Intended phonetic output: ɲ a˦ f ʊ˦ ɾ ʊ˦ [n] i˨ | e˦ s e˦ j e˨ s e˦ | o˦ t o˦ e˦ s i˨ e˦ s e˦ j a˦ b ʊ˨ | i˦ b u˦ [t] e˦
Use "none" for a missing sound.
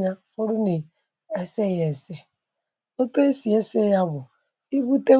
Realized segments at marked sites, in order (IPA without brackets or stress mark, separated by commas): n, t